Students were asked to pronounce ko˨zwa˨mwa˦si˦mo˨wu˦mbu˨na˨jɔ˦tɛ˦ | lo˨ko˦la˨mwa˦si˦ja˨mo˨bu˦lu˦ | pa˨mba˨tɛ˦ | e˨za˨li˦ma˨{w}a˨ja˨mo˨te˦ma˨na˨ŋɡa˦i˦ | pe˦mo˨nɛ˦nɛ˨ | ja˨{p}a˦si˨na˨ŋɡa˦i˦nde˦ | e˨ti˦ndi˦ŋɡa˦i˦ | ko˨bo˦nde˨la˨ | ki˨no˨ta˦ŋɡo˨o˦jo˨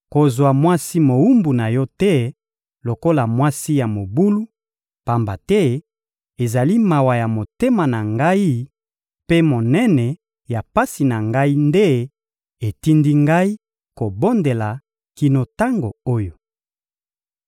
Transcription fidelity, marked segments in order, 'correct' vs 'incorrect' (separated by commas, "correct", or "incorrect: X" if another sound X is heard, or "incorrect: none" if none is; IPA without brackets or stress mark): correct, correct